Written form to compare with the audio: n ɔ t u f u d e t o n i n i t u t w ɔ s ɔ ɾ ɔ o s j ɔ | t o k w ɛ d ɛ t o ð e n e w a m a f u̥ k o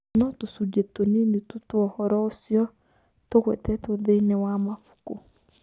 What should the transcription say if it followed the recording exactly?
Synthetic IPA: n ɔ t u s u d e t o n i n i t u t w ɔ h ɔ ɾ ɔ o s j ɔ | t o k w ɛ t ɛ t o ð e n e w a m a f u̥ k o